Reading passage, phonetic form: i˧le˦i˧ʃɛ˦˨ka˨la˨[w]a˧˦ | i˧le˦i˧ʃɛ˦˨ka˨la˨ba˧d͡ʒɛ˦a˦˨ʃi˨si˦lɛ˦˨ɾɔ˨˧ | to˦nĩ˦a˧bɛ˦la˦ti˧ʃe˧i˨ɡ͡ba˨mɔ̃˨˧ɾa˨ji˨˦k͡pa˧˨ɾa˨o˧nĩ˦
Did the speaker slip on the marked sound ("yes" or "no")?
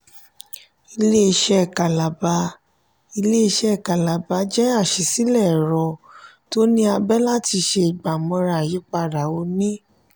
yes